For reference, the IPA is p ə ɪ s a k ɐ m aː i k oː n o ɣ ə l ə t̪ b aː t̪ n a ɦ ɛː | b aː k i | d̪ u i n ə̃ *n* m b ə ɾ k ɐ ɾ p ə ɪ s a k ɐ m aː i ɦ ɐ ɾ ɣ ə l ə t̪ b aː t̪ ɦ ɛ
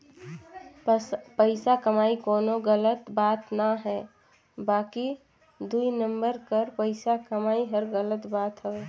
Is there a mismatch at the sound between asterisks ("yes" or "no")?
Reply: yes